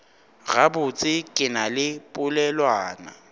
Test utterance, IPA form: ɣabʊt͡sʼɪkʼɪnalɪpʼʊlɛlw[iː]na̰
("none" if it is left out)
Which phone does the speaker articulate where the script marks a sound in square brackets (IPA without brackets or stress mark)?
aː